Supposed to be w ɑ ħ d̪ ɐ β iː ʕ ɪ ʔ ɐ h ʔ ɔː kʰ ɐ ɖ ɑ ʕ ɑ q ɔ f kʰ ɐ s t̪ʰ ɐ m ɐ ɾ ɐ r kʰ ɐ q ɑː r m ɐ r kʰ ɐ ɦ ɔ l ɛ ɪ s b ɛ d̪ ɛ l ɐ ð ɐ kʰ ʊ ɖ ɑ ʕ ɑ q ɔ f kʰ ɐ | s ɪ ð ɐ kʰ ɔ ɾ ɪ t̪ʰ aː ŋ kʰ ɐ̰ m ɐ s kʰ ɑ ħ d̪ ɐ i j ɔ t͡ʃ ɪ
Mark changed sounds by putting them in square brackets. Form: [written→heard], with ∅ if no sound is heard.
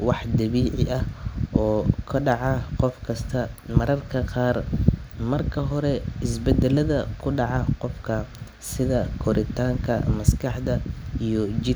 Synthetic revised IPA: w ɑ ħ d̪ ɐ β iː ʕ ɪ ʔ ɐ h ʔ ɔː kʰ ɐ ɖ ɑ ʕ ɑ q ɔ f kʰ ɐ s t̪ʰ ɐ m ɐ ɾ ɐ r kʰ ɐ q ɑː r m ɐ r kʰ ɐ ɦ ɔ [l→ɾ] ɛ ɪ s b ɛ d̪ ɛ l ɐ ð ɐ kʰ ʊ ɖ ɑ ʕ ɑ q ɔ f kʰ ɐ | s ɪ ð ɐ kʰ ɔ ɾ ɪ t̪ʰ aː ŋ kʰ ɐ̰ m ɐ s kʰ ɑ ħ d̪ ɐ i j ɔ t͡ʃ ɪ

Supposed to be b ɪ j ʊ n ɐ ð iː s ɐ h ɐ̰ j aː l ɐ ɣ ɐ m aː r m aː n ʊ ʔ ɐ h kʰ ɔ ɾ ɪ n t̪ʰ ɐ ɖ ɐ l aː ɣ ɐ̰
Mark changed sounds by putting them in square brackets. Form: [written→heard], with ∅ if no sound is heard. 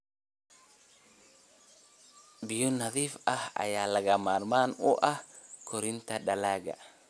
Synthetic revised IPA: b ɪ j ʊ n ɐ ð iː [s→f] ɐ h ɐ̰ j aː l ɐ ɣ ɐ m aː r m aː n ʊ ʔ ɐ h kʰ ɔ ɾ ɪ n t̪ʰ ɐ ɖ ɐ l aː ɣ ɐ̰

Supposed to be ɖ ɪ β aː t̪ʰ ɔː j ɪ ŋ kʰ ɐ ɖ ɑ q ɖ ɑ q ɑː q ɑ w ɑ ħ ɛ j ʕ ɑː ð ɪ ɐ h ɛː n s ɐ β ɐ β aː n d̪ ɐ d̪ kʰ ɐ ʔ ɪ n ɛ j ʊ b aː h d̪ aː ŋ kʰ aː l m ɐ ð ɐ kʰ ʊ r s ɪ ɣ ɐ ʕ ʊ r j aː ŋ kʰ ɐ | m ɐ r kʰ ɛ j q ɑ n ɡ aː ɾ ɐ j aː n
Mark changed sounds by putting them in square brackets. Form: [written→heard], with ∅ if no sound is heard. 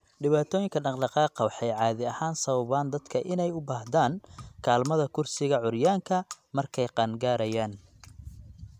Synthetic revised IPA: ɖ ɪ β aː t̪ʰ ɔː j ɪ ŋ kʰ ɐ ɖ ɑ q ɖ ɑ q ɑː q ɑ w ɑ ħ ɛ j ʕ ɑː ð ɪ ɐ h [ɛː→aː] n s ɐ β ɐ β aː n d̪ ɐ d̪ kʰ ɐ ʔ ɪ n ɛ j ʊ b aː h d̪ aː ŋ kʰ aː l m ɐ ð ɐ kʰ ʊ r s ɪ ɣ ɐ ʕ ʊ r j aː ŋ kʰ ɐ | m ɐ r kʰ ɛ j q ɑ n ɡ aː ɾ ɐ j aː n

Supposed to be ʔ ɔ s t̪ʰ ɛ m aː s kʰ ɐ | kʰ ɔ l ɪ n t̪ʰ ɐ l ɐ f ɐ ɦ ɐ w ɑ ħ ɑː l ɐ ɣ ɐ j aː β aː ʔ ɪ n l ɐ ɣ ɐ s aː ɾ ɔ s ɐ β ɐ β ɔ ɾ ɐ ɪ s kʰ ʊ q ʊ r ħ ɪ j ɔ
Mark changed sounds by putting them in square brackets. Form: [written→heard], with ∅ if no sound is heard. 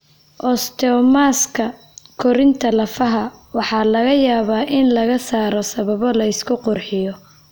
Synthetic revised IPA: ʔ ɔ s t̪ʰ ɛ m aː s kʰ ɐ | kʰ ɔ [l→ɾ] ɪ n t̪ʰ ɐ l ɐ f ɐ ɦ ɐ w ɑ ħ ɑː l ɐ ɣ ɐ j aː β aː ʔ ɪ n l ɐ ɣ ɐ s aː ɾ ɔ s ɐ β ɐ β ɔ [ɾ→l] ɐ ɪ s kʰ ʊ q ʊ r ħ ɪ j ɔ

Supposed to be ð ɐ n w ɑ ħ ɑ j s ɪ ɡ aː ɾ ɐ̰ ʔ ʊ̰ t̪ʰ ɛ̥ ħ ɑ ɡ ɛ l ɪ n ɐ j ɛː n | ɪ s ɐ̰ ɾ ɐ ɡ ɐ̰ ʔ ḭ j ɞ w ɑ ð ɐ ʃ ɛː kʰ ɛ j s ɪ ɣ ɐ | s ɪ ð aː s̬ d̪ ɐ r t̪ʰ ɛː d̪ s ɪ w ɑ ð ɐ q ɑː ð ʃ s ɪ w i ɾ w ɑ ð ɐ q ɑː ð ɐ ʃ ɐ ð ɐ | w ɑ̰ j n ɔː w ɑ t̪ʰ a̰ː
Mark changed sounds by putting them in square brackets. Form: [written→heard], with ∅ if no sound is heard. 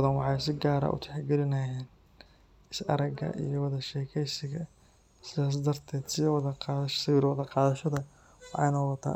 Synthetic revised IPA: ð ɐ n w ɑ ħ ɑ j s ɪ ɡ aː ɾ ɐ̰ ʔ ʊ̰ t̪ʰ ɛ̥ ħ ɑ ɡ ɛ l ɪ n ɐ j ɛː n | ɪ s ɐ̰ ɾ ɐ ɡ ɐ̰ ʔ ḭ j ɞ w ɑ ð ɐ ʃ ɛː kʰ ɛ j s ɪ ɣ ɐ | s ɪ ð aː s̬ d̪ ɐ r t̪ʰ ɛː d̪ s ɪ w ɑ ð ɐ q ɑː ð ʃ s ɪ w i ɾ w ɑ ð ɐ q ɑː ð ɐ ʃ ɐ ð ɐ | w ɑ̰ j n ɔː w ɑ t̪ʰ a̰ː

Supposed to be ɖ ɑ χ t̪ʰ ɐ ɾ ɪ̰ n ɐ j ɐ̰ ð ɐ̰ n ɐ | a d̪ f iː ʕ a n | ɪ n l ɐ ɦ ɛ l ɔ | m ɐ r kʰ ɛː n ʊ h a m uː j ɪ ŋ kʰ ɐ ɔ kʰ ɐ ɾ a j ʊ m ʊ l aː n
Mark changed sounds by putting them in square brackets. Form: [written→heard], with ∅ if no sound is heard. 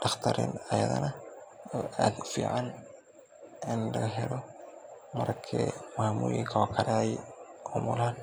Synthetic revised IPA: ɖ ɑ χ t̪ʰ ɐ ɾ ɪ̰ n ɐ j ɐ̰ ð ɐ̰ n ɐ | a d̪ f iː ʕ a n | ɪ n l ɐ ɦ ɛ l ɔ | m ɐ r kʰ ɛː [n→m] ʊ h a m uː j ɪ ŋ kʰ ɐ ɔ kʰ ɐ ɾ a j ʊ m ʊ l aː n

